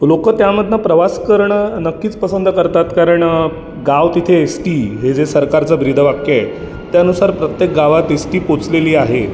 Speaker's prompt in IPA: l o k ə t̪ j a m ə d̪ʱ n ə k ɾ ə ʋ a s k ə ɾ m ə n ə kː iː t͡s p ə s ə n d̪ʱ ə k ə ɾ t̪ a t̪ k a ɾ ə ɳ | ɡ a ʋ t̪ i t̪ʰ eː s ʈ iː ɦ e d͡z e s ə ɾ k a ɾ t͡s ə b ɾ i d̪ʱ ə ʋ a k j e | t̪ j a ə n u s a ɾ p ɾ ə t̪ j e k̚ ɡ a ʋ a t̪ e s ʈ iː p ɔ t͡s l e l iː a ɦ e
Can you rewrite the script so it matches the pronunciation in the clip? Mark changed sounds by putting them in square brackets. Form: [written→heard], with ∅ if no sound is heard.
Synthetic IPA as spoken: l o k ə t̪ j a m ə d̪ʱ n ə [k→p] ɾ ə ʋ a s k ə ɾ [m→ɳ] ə n ə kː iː t͡s p ə s ə n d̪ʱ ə k ə ɾ t̪ a t̪ k a ɾ ə ɳ | ɡ a ʋ t̪ i t̪ʰ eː s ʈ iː ɦ e d͡z e s ə ɾ k a ɾ t͡s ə b ɾ i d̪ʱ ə ʋ a k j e | t̪ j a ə n u s a ɾ p ɾ ə t̪ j e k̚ ɡ a ʋ a t̪ e s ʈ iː p [ɔ→o] t͡s l e l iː a ɦ e